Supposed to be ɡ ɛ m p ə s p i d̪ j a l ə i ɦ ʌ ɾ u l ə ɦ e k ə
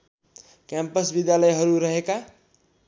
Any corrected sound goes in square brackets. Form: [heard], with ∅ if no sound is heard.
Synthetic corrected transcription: [k] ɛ m p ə s [b] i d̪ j a l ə [j] ɦ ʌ ɾ u [ɾ] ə ɦ e k [a]